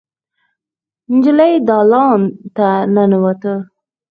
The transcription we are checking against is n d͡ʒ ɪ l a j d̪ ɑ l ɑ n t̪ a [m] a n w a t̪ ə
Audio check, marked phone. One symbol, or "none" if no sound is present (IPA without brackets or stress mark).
n